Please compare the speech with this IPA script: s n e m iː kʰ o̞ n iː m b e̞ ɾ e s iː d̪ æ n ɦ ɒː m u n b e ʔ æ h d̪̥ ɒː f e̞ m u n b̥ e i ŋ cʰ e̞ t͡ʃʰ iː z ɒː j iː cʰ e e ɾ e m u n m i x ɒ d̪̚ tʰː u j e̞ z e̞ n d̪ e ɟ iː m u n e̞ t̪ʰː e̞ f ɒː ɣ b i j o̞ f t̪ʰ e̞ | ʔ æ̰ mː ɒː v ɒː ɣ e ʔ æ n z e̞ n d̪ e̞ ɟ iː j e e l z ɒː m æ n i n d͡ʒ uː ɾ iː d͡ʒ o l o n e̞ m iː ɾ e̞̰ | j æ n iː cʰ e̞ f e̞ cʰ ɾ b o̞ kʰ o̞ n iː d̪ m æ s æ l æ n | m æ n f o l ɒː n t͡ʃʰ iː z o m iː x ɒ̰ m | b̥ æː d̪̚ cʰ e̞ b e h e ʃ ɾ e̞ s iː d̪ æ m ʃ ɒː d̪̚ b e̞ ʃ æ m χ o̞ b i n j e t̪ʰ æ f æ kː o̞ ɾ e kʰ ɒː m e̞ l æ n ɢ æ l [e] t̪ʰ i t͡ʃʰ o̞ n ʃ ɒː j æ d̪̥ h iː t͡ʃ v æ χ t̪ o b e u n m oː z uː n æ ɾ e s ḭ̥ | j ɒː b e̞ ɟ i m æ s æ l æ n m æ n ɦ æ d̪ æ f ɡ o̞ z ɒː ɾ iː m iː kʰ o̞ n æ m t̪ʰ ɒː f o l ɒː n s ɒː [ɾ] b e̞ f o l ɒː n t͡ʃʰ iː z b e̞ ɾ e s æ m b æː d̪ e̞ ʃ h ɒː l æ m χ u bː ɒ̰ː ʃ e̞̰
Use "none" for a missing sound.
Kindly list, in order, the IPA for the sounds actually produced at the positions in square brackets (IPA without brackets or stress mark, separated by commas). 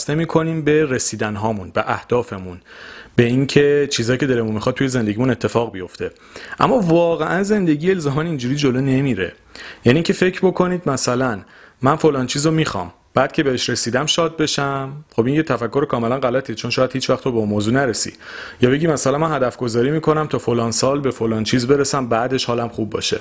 æ, l